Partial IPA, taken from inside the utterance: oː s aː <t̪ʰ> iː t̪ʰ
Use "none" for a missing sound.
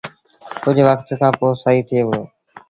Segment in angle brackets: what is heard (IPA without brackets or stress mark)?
none